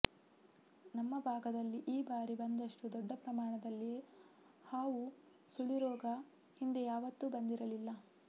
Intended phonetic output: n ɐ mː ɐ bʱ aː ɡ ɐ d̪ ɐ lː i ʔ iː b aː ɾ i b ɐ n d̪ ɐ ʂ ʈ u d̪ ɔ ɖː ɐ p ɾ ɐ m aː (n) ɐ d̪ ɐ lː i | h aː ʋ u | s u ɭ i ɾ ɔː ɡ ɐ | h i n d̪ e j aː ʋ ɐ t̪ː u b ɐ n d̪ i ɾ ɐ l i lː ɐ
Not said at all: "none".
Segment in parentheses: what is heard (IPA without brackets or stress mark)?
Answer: ɳ